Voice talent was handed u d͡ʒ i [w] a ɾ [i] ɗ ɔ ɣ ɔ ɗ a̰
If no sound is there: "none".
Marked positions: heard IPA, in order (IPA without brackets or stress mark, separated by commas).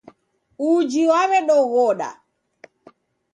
w, ɛ